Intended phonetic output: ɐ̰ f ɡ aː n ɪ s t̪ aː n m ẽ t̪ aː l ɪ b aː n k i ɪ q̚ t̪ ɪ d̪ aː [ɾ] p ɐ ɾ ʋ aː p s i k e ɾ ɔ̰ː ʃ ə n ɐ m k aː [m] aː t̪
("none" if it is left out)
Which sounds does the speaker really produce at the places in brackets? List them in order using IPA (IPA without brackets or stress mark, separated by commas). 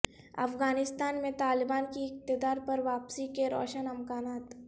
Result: ɾ, n